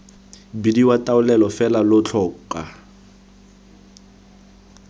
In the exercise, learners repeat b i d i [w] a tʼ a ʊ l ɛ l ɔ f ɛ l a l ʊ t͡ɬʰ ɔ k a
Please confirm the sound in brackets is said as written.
yes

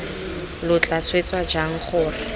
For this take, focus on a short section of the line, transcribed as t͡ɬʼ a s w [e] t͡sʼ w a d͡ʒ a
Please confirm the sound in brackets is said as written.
yes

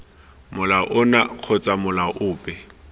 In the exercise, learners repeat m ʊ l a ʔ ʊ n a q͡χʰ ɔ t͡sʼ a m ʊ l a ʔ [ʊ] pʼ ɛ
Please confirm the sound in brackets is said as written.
no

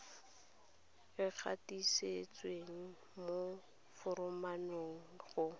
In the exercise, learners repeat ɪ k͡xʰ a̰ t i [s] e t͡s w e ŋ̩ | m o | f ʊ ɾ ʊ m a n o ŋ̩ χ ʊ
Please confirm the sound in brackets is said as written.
yes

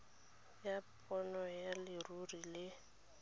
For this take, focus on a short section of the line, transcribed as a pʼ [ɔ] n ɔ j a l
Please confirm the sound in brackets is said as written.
yes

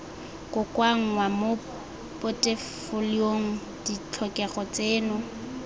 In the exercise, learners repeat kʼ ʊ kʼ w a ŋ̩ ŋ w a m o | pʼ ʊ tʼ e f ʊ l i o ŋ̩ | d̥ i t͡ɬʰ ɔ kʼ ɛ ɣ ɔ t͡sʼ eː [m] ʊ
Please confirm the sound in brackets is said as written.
no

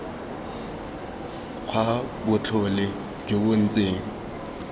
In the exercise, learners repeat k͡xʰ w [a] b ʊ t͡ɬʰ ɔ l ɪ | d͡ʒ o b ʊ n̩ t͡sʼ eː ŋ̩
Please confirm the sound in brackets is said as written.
yes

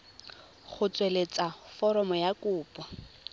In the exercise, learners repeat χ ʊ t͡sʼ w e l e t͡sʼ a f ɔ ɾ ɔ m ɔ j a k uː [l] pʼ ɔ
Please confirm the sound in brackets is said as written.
no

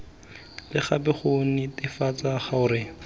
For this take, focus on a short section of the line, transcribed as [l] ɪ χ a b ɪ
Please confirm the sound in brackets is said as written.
yes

